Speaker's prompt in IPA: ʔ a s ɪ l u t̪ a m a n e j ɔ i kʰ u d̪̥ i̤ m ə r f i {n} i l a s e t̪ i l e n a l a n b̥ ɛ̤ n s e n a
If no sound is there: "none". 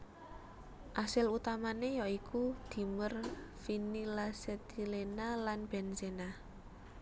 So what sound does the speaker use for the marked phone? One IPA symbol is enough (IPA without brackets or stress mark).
n